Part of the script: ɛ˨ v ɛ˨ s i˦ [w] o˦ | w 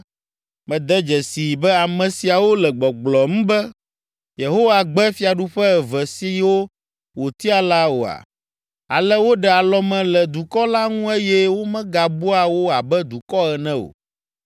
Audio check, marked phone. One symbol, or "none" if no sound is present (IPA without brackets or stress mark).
w